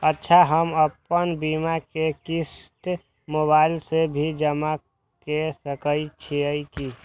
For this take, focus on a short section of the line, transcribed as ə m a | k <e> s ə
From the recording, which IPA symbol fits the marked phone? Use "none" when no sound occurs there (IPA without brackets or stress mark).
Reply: e